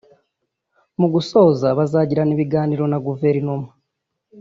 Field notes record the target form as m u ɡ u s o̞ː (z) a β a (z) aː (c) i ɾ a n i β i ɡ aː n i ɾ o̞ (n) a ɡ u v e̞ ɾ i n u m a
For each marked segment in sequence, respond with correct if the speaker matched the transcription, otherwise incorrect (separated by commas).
correct, correct, incorrect, correct